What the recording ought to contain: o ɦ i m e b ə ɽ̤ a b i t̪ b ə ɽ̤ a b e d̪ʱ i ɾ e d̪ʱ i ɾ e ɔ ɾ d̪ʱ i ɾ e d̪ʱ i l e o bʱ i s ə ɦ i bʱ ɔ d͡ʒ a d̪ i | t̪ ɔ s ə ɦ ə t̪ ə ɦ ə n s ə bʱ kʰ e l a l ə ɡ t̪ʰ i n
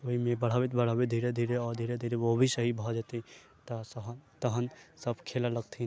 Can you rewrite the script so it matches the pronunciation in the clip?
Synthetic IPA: o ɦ i m e b ə ɽ̤ a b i t̪ b ə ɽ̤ a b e d̪ʱ i ɾ e d̪ʱ i ɾ e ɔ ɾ d̪ʱ i ɾ e d̪ʱ i ɾ e o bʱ i s ə ɦ i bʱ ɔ d͡ʒ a t̪ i | t̪ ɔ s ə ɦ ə t̪ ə ɦ ə n s ə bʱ kʰ e l a l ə ɡ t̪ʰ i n